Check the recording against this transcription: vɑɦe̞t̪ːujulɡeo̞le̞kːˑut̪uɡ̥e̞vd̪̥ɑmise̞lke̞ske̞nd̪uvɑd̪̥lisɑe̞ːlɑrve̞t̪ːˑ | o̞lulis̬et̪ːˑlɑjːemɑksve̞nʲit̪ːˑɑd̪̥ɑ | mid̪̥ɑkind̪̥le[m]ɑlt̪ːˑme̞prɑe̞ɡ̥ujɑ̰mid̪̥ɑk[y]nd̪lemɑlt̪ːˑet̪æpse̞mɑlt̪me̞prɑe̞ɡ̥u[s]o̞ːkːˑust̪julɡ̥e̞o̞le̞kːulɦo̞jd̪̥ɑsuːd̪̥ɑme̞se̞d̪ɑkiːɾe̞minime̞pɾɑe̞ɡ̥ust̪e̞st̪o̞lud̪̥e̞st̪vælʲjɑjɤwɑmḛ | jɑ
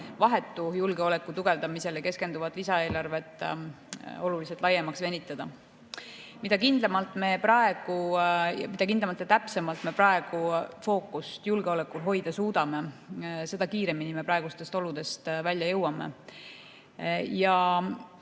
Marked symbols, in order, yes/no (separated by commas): yes, no, no